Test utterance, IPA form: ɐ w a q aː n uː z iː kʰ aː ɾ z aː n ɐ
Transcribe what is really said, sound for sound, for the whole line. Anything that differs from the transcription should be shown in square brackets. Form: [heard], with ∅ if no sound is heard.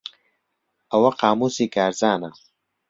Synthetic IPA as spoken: ɐ w [ɐ] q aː [m] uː [s] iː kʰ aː ɾ z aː n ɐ